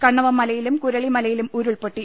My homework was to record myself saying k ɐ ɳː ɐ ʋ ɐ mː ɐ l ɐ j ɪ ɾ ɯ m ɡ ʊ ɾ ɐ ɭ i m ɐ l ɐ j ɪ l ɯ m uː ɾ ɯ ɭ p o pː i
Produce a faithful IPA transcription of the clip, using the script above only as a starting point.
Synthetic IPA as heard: k ɐ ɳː ɐ ʋ ɐ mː ɐ l ɐ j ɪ l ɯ m k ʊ ɾ ɐ ɭ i m ɐ l ɐ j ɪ l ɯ m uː ɾ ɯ ɭ p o ʈː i